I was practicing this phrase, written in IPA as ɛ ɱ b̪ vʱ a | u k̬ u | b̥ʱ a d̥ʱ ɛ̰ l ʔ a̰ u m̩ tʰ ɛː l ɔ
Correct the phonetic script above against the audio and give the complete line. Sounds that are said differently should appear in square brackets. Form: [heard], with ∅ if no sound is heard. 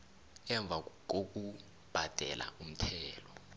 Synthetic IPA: ɛ ɱ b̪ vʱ a | [o] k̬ u | b̥ʱ a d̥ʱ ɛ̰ l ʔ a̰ u m̩ tʰ ɛː l ɔ